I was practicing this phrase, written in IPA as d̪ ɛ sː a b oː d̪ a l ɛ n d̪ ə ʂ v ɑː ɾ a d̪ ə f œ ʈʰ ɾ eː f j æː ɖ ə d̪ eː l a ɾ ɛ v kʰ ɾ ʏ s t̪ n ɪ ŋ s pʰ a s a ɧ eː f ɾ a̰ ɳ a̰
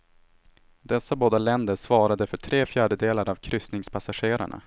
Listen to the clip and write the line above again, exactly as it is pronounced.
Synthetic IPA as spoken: d̪ ɛ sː a b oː d̪ a l ɛ n d̪ ə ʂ v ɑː ɾ a d̪ ə f œ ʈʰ ɾ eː f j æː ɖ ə d̪ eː l a ɾ a v kʰ ɾ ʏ s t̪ n ɪ ŋ s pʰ a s a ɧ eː ɾ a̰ ɳ a̰